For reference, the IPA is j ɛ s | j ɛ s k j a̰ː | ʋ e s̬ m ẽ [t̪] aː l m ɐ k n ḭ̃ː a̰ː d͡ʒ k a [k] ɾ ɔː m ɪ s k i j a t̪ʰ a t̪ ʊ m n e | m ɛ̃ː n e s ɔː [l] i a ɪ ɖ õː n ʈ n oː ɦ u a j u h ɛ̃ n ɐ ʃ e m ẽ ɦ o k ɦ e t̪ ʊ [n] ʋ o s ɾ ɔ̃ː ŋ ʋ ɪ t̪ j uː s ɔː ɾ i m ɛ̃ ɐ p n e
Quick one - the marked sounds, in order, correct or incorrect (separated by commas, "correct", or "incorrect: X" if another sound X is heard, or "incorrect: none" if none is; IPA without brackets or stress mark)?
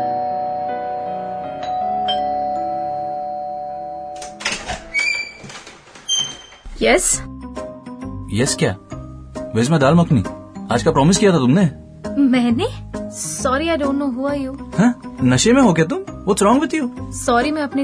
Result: incorrect: d̪, incorrect: p, incorrect: ɾ, incorrect: m